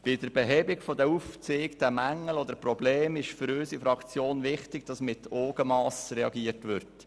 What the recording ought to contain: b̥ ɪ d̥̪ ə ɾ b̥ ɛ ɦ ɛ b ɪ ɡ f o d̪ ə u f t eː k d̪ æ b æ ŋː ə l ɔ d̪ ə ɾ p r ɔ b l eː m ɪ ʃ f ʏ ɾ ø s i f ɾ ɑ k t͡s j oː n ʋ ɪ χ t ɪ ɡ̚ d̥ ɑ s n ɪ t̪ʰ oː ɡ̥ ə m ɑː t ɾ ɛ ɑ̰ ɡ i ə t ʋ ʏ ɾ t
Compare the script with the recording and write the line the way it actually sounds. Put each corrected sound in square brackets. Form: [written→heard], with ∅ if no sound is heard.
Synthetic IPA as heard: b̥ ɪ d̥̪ ə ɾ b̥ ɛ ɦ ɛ b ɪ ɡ f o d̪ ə u f [t→t͡s] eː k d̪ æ [b→m] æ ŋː ə l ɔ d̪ ə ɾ p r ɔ b l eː m ɪ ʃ f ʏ ɾ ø s i f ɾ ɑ k t͡s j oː n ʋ ɪ χ t ɪ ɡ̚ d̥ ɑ s [n→m] ɪ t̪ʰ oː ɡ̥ ə m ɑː [t→s] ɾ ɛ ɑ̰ ɡ i ə t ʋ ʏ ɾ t